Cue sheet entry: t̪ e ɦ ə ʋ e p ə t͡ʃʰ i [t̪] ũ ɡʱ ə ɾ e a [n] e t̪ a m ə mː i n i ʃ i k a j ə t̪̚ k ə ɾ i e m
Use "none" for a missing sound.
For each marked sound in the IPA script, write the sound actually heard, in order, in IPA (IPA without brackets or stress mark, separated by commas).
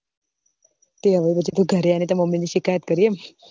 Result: t̪, n